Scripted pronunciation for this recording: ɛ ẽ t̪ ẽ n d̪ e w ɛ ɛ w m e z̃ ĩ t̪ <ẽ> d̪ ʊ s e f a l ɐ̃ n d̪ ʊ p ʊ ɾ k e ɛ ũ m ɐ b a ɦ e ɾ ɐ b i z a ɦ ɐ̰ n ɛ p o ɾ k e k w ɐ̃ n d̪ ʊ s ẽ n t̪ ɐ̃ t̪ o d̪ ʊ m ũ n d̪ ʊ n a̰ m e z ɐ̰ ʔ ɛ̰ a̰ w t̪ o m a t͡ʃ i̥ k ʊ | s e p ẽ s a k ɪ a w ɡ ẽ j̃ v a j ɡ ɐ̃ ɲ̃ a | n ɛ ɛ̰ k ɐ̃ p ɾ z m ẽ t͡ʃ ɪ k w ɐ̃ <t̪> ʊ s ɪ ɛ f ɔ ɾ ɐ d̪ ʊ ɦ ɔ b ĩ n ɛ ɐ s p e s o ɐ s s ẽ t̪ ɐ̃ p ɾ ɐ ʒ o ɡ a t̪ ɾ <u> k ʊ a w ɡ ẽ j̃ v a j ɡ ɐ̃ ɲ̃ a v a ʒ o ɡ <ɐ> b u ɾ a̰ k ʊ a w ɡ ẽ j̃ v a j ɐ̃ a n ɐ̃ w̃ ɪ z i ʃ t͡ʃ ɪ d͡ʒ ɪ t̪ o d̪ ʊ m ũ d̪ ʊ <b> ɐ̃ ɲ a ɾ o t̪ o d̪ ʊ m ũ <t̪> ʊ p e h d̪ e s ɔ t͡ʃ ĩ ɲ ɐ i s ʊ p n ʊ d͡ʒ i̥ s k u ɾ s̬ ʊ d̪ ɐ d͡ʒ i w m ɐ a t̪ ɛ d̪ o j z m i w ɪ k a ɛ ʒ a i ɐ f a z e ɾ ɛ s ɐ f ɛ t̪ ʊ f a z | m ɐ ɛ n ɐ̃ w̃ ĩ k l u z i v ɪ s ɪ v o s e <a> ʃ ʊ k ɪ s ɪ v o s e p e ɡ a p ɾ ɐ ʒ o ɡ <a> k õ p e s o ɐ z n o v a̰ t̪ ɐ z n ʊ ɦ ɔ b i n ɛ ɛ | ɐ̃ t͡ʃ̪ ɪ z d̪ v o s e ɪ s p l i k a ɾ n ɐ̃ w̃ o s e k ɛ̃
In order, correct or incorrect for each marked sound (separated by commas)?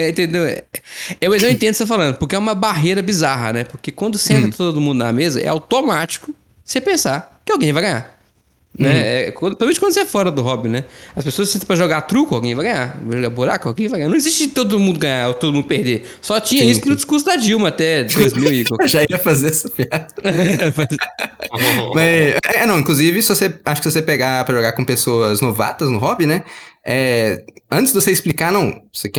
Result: correct, incorrect, correct, incorrect, incorrect, incorrect, correct, correct